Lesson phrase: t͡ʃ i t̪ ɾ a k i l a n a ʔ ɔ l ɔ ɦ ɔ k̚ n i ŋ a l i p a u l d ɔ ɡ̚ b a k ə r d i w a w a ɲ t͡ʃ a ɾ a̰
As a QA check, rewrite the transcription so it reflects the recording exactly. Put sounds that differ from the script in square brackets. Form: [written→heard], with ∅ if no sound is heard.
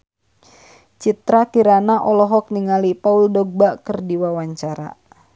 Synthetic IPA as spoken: t͡ʃ i t̪ ɾ a k i [l→ɾ] a n a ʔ ɔ l ɔ ɦ ɔ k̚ n i ŋ a l i p a u l d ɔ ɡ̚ b a k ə r d i w a w a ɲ t͡ʃ a ɾ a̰